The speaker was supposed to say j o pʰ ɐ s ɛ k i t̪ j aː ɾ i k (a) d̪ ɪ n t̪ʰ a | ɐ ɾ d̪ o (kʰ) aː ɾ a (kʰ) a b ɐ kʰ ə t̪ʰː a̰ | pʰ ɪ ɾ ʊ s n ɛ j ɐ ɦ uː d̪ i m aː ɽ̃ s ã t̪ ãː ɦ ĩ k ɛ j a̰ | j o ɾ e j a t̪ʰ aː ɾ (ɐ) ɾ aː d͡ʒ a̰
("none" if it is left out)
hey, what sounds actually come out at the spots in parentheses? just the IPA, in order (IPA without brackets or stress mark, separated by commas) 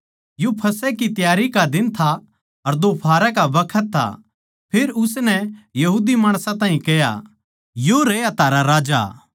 a, pʰ, k, a